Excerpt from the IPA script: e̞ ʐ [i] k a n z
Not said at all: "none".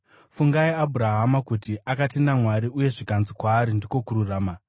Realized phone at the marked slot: i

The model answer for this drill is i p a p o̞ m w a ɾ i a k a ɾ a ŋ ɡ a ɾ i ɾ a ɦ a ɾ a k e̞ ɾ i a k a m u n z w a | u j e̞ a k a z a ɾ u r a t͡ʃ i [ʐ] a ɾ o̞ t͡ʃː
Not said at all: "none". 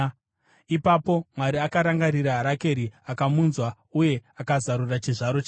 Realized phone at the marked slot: ʐ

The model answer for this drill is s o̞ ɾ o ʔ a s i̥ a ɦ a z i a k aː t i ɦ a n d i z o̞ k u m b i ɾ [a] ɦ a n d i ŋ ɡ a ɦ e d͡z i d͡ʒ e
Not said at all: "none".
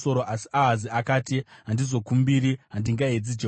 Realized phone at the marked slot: i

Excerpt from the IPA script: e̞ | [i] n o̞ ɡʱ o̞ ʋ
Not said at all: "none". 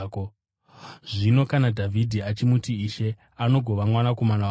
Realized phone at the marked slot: a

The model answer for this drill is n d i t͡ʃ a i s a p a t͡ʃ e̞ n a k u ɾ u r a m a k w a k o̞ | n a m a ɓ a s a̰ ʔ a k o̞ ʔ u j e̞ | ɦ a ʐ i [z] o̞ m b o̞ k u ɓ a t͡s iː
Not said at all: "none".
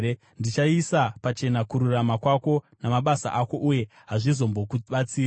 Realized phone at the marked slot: z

